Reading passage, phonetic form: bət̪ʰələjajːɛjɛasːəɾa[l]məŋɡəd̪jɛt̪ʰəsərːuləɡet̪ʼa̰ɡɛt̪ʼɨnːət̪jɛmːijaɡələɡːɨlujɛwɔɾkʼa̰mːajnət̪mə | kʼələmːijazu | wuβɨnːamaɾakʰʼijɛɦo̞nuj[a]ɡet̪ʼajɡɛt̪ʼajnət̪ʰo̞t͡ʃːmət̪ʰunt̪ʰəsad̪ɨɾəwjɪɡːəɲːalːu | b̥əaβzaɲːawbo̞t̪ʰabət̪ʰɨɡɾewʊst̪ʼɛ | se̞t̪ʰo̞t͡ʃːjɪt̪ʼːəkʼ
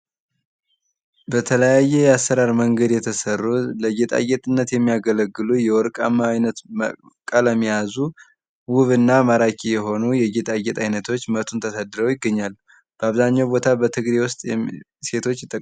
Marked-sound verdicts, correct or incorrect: incorrect: ɾ, incorrect: ɛ

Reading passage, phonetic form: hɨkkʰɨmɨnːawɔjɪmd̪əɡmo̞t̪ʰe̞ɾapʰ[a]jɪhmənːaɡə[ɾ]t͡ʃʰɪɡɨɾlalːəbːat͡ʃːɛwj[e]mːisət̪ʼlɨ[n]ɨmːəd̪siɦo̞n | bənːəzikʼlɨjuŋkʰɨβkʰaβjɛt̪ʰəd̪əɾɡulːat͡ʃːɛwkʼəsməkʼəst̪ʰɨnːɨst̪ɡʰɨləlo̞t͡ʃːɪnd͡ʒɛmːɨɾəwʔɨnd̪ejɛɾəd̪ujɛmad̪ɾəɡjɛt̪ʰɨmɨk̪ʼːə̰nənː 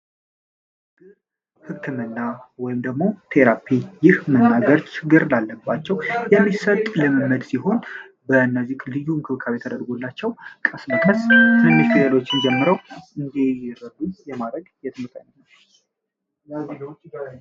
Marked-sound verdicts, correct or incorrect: incorrect: i, correct, incorrect: ɛ, incorrect: m

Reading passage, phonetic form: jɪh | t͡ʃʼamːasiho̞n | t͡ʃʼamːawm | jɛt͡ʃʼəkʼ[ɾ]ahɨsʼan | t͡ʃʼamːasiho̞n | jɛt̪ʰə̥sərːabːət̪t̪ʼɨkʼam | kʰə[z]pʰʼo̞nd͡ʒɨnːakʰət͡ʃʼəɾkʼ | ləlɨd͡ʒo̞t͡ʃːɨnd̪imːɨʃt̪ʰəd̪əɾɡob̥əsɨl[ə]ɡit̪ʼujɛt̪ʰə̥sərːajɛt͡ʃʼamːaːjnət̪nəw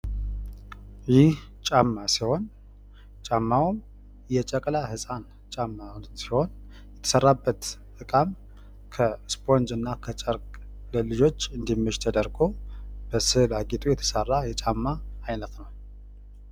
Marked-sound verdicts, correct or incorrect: incorrect: l, incorrect: s, incorrect: a

